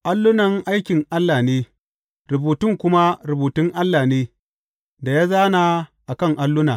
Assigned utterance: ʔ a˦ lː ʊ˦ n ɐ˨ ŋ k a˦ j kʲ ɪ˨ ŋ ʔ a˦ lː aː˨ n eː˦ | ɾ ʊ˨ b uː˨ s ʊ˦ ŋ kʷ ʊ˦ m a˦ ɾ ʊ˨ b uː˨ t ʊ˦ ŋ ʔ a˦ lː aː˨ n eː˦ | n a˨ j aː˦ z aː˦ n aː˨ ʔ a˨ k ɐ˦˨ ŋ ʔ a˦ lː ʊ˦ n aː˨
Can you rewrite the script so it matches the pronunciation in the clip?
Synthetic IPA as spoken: ʔ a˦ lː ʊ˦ n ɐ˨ ŋ ʔ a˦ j kʲ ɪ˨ ŋ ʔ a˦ lː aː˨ n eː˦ | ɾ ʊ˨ b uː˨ t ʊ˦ ŋ kʷ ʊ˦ m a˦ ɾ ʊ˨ b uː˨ t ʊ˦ ŋ ʔ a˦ lː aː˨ n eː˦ | d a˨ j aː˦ z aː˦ n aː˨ ʔ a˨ k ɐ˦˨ ŋ ʔ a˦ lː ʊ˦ n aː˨